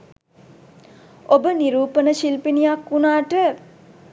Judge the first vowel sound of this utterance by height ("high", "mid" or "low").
mid